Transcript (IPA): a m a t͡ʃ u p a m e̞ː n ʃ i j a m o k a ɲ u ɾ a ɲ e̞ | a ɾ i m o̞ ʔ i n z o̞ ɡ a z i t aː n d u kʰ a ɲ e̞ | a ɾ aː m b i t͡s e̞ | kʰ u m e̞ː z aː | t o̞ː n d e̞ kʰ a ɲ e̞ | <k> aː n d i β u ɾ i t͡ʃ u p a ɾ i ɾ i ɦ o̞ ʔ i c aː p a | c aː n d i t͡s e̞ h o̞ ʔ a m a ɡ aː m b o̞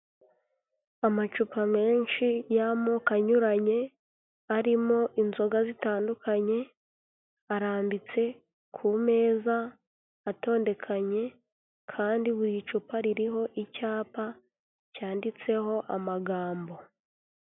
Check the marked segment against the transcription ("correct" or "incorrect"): incorrect